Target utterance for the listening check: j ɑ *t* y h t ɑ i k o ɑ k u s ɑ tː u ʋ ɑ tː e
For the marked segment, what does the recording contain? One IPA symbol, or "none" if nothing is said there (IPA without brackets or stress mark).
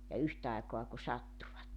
none